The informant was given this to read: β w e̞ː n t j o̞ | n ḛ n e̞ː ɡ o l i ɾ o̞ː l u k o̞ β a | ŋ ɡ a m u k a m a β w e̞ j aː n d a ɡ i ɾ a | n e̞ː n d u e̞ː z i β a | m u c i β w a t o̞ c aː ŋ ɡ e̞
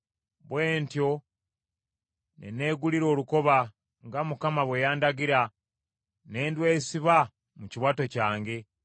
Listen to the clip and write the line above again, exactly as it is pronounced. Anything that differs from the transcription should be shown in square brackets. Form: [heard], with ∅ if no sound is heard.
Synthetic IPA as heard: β w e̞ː n t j o̞ | n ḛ n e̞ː ɡ [u] l i ɾ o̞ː l u k o̞ β a | ŋ ɡ a m u k a m a β w e̞ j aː n d a ɡ i ɾ a | n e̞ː n d [w] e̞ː [s] i β a | m u c i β w a t o̞ c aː ŋ ɡ e̞